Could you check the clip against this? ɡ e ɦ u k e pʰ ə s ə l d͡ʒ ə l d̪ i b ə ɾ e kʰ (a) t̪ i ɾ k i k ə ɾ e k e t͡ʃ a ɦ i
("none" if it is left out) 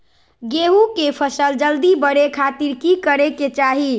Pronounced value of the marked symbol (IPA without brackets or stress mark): a